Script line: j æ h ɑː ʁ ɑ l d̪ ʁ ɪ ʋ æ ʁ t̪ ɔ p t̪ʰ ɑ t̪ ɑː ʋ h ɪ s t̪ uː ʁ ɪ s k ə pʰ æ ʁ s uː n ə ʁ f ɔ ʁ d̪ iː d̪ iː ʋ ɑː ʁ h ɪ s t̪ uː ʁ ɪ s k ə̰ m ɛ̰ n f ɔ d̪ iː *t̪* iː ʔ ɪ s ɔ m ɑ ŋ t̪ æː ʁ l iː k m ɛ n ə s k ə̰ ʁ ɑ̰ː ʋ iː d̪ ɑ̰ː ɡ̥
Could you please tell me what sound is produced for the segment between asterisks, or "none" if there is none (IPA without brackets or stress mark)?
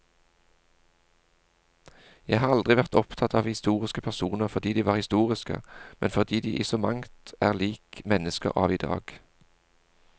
d̪